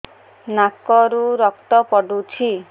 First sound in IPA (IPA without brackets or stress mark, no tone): n